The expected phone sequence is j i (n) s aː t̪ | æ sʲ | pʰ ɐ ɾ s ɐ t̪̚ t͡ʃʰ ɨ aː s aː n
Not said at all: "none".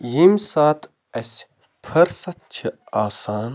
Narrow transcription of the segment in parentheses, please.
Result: m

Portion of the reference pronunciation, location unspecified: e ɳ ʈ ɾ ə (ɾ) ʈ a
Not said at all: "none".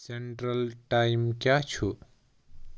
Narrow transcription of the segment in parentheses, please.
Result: l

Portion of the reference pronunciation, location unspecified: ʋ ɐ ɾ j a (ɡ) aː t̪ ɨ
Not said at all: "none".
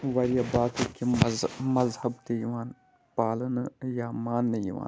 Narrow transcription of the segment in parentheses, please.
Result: b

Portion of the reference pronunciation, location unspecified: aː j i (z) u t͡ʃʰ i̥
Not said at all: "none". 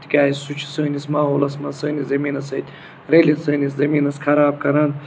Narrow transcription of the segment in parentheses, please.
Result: s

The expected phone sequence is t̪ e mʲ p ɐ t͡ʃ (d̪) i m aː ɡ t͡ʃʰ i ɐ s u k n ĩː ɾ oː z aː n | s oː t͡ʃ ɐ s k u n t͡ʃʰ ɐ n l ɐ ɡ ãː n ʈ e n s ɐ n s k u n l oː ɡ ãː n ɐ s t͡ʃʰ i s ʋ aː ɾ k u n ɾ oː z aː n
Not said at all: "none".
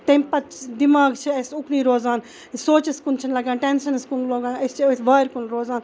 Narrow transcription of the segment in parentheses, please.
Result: d̪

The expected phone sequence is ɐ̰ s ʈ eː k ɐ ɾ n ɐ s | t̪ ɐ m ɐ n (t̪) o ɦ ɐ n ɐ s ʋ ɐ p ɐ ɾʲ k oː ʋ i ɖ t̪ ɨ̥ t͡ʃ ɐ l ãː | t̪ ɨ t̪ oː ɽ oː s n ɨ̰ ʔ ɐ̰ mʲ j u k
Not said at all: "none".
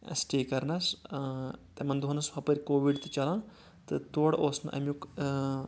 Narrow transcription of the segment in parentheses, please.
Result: d̪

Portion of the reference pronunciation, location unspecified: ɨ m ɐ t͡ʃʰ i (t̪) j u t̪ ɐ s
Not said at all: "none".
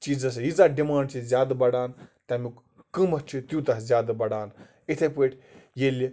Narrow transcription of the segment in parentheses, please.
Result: t̪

